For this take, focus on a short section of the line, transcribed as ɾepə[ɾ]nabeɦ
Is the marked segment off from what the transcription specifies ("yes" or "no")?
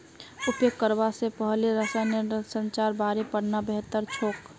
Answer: yes